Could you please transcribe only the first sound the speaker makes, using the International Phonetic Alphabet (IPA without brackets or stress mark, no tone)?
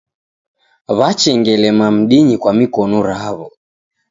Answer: β